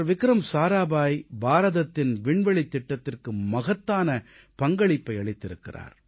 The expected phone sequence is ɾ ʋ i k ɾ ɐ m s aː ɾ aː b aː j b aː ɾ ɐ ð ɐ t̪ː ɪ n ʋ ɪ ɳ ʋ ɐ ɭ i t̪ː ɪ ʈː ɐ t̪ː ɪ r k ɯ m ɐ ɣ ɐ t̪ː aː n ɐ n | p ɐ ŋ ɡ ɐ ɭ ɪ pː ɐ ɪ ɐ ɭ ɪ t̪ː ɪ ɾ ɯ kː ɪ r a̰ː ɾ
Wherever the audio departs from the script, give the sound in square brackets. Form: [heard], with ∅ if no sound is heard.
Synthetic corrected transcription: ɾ ʋ [ɪ] k ɾ ɐ m s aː ɾ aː b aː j b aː ɾ ɐ ð ɐ t̪ː ɪ n ʋ ɪ ɳ ʋ ɐ ɭ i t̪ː ɪ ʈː ɐ t̪ː ɪ r k ɯ m ɐ ɣ ɐ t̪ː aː n ɐ [∅] | p ɐ ŋ ɡ ɐ ɭ ɪ pː ɐ ɪ ɐ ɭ ɪ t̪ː ɪ ɾ ɯ kː ɪ r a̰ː ɾ